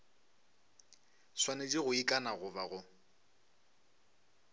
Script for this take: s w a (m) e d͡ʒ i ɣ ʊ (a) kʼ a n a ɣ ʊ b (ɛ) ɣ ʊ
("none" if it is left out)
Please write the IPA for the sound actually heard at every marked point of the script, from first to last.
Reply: n, i, a

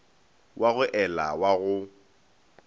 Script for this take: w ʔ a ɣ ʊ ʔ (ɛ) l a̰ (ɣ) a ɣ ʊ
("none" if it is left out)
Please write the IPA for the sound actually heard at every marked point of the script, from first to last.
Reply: ɛ, w

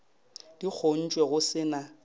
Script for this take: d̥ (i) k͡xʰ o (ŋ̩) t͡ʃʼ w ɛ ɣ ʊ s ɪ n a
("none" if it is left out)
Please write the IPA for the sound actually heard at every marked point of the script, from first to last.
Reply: i, n̩

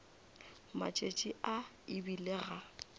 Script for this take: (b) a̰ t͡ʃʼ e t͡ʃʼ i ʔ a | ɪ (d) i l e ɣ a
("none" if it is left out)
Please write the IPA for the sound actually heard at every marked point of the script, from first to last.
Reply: m, b

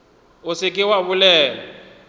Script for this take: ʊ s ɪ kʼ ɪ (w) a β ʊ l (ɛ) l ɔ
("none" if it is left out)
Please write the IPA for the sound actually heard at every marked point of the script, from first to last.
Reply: w, ɛː

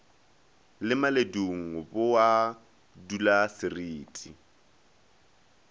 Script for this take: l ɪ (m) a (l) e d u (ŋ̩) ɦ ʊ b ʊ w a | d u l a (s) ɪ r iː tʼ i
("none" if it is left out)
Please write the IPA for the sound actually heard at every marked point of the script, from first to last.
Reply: m, l, ŋ̩, s

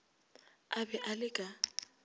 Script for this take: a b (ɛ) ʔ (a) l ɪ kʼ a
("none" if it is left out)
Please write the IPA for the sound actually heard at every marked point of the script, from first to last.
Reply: ɛ, a

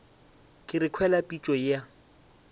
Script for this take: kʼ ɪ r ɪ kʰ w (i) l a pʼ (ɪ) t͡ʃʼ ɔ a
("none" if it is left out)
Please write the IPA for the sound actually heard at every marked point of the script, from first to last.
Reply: ɛ, i

